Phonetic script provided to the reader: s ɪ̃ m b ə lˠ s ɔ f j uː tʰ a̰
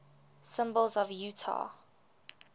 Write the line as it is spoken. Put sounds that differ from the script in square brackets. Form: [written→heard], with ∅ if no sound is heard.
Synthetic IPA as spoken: s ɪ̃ m b ə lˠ [s→z] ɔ [f→v] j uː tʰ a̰

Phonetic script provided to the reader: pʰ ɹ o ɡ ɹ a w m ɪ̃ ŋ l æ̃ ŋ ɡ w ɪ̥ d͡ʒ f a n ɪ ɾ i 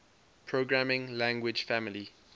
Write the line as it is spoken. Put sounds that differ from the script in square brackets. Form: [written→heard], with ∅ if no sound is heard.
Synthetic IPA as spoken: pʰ ɹ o ɡ ɹ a [w→∅] m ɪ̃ ŋ l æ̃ ŋ ɡ w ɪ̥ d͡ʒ f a [n→m] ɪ [ɾ→l] i

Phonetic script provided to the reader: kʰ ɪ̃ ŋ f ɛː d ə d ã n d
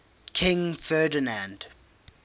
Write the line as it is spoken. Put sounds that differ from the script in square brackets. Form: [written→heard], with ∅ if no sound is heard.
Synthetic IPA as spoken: kʰ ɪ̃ ŋ f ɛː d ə [d→n] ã n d

